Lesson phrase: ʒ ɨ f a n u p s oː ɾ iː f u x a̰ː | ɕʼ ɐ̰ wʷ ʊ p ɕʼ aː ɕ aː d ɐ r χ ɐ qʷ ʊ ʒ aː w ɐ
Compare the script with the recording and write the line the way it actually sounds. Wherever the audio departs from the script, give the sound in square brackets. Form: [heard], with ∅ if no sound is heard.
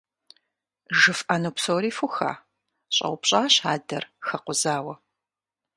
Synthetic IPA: ʒ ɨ f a n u p s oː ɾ iː f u x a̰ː | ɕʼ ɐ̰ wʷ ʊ p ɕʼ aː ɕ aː d ɐ r [x] ɐ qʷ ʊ [z] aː w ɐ